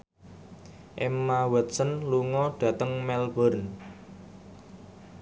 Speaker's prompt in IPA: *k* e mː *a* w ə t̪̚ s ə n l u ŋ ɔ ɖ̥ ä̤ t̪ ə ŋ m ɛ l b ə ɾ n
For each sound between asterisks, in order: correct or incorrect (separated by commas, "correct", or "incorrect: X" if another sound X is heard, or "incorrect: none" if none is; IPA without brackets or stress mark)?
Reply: incorrect: ʔ, correct